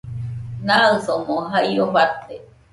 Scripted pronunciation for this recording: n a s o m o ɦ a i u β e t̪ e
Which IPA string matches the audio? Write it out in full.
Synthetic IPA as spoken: n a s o m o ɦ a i o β a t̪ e

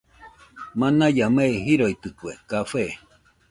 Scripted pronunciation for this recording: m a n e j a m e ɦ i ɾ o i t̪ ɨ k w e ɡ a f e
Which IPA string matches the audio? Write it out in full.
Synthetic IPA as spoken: m a n a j a m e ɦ i ɾ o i t̪ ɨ k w e k a f e

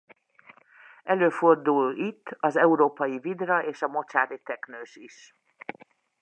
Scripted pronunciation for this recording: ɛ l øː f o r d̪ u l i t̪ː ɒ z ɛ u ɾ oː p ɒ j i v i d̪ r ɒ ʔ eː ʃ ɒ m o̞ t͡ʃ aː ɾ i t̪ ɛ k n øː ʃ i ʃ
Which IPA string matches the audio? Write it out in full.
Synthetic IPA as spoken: ɛ l øː f o r d̪ u l i t̪ː ɒ z ɛ u ɾ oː p ɒ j i v i d̪ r ɒ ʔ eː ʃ ɒ m o̞ t͡ʃ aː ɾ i t̪ ɛ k n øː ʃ i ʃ

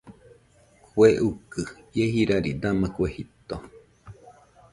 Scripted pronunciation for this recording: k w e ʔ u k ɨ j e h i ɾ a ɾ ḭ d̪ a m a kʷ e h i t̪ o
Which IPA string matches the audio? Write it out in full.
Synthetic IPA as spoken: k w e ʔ u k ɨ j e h i ɾ a ɾ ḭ d̪ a m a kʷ e h i t̪ o

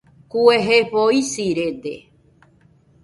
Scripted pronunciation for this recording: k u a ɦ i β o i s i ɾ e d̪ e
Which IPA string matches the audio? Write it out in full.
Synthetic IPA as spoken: k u e ɦ e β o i s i ɾ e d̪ e

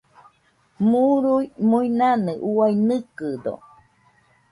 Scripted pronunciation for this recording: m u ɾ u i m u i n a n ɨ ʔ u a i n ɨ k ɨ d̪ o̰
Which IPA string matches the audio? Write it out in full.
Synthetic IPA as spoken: m u ɾ u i m u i n a n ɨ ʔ u a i n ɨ k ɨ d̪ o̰

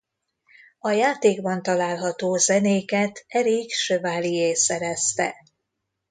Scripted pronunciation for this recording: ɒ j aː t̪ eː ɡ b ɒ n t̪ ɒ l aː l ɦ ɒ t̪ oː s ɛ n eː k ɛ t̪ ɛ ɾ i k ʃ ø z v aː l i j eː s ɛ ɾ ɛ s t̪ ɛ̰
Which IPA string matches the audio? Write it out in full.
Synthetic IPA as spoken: ɒ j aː t̪ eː ɡ b ɒ n t̪ ɒ l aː l ɦ ɒ t̪ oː z ɛ n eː k ɛ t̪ ɛ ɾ i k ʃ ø v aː l i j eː s ɛ ɾ ɛ s t̪ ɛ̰

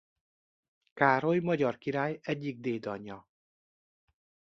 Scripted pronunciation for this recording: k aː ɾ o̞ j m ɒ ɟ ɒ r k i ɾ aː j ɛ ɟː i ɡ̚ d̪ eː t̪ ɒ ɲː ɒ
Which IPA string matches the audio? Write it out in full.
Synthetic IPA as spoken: k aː ɾ o̞ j m ɒ ɟ ɒ r k i ɾ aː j ɛ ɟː i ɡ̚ d̪ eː d̪ ɒ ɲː ɒ

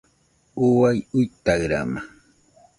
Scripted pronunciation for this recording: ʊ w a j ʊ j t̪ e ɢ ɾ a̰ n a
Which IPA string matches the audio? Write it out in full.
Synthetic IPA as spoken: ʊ w a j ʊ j t̪ a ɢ ɾ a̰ m a

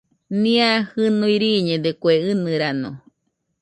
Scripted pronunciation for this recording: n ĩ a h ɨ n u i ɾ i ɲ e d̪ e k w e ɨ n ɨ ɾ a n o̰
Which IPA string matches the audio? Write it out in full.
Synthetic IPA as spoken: n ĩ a h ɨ n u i ɾ i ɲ e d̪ e k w e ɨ n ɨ ɾ a n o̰

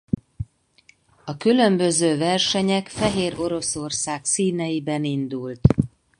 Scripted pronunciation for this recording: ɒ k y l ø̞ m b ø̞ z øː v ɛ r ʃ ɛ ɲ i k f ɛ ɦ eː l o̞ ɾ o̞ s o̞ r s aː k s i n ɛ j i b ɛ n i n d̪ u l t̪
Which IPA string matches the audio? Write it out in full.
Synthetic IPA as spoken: ɒ k y l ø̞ m b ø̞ z øː v ɛ r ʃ ɛ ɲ ɛ k f ɛ ɦ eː ɾ o̞ ɾ o̞ s o̞ r s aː k s iː n ɛ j i b ɛ n i n d̪ u l t̪

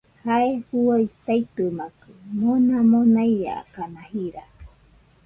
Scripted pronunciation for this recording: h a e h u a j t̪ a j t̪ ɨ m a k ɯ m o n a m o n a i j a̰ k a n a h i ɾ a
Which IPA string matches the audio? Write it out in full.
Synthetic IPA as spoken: h a e h u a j t̪ a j t̪ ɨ m a k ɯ m o n a m o n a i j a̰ k a n a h i ɾ a

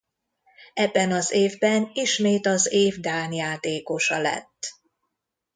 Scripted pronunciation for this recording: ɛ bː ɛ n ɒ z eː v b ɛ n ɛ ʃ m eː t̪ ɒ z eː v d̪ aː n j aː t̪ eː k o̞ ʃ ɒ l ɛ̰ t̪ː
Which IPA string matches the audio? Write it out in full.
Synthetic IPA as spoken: ɛ bː ɛ n ɒ z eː v b ɛ n i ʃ m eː t̪ ɒ z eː v d̪ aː n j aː t̪ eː k o̞ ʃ ɒ l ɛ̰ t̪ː

